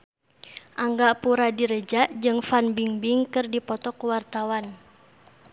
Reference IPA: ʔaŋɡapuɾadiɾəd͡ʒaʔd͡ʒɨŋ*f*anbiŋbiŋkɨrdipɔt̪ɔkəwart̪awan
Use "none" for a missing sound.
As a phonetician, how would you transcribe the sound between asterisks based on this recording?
f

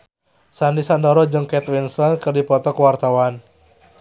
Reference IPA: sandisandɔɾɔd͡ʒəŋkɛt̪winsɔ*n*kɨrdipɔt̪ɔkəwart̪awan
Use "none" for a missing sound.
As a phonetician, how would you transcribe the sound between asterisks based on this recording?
n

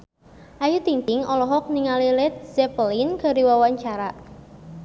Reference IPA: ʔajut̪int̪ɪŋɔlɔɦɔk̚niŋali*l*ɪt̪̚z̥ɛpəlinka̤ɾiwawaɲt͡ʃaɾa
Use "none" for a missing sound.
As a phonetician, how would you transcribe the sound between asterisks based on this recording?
l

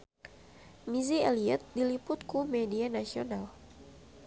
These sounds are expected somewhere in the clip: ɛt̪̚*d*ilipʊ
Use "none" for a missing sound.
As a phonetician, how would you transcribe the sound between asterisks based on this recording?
d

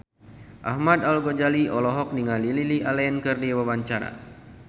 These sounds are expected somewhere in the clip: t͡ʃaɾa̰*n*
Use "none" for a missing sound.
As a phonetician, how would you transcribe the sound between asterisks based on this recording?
none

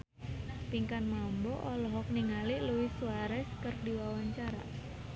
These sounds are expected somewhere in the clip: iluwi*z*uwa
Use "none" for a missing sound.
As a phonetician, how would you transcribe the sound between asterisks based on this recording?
s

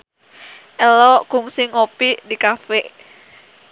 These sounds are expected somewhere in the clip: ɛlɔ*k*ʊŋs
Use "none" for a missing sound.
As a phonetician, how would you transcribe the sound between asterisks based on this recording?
k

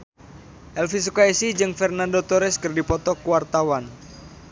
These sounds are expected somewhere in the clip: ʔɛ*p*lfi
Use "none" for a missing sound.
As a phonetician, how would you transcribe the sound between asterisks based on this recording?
none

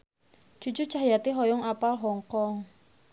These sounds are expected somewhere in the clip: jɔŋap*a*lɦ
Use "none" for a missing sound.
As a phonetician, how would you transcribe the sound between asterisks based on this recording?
a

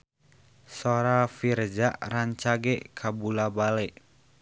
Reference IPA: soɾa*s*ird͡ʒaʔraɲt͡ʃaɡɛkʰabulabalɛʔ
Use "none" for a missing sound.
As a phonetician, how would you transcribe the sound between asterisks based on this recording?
f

